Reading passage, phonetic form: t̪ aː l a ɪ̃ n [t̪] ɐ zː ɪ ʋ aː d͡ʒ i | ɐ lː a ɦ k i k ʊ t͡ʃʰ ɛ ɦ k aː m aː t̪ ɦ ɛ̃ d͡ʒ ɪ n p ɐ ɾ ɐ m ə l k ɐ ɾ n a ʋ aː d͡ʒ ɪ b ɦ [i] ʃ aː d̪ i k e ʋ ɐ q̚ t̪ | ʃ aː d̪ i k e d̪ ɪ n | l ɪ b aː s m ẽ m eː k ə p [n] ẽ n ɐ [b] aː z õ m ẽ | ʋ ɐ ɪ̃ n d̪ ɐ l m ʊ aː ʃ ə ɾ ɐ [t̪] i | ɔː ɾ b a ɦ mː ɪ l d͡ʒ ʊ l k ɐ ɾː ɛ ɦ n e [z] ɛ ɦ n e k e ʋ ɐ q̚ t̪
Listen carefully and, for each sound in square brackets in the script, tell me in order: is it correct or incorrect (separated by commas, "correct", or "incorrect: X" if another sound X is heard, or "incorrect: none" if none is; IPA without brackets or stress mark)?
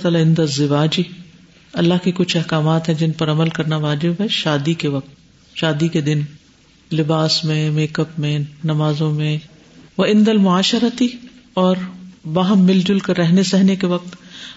incorrect: d̪, incorrect: ɛ, incorrect: m, incorrect: m, correct, incorrect: s